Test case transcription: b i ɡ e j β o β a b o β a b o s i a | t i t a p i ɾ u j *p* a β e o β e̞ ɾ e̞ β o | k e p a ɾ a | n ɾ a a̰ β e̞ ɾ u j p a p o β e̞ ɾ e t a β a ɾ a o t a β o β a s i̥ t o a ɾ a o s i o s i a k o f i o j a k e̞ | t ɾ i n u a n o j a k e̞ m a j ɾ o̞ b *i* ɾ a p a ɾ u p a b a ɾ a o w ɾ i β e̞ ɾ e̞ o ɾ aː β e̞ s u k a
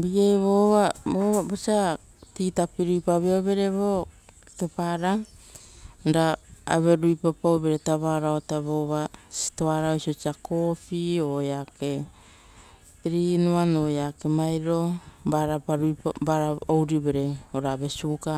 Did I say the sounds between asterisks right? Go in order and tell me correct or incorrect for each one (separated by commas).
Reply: correct, incorrect